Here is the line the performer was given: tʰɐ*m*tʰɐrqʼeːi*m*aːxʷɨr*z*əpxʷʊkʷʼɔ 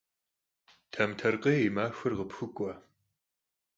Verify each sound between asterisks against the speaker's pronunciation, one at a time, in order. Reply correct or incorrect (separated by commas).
correct, correct, incorrect